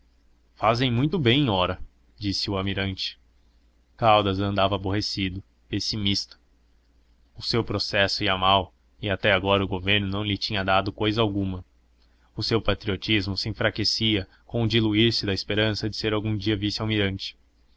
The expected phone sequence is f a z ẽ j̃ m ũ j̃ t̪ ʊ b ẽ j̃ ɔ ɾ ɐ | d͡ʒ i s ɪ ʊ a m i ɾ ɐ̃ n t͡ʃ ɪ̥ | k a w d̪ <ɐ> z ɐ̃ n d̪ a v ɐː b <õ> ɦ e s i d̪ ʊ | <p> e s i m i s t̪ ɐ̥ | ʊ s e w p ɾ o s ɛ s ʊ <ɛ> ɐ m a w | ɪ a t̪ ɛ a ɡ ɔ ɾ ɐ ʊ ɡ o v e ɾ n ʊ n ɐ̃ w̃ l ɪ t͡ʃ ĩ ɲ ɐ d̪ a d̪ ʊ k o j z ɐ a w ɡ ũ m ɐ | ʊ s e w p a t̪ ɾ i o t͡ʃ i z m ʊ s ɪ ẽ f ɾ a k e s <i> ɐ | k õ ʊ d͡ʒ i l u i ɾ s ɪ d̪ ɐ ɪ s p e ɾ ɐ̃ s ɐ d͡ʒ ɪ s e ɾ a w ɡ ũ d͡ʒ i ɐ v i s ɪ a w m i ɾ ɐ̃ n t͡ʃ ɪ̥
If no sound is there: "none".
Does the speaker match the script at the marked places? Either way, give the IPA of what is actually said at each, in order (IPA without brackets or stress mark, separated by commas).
ɐ, o, p, i, i